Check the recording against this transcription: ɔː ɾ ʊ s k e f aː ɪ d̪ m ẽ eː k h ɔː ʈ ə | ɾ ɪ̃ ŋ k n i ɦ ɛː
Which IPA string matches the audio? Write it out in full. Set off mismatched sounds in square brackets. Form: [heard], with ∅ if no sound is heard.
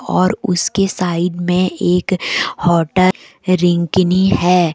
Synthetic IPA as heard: ɔː ɾ ʊ s k e [s] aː ɪ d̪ m ẽ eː k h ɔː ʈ ə | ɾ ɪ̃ ŋ k n i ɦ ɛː